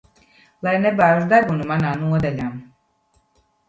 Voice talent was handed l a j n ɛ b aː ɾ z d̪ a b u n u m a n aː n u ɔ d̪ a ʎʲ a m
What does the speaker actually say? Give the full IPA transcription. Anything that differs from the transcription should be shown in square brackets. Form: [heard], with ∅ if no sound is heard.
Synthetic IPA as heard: l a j n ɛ b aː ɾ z d̪ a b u n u m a n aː n u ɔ d̪ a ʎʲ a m